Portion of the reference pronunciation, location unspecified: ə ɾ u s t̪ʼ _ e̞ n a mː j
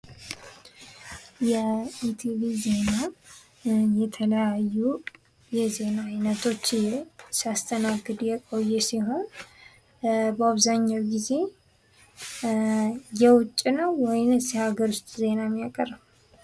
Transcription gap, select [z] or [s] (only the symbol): z